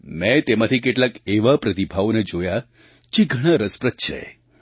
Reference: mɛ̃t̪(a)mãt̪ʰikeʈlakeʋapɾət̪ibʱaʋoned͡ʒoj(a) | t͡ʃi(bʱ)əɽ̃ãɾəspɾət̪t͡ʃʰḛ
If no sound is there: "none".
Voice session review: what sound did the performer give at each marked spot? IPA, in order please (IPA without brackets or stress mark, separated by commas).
e, a, ɡʱ